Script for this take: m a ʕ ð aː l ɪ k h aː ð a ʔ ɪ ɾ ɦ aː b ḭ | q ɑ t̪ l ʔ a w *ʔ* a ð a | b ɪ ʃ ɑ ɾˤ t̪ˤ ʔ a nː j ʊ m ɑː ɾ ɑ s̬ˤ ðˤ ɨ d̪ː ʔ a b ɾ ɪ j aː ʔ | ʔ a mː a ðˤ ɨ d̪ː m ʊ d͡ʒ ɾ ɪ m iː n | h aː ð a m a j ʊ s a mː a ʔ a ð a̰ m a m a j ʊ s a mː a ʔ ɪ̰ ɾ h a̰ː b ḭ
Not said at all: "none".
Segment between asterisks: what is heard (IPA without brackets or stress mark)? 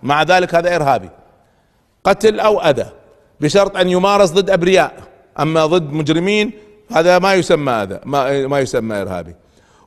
ʔ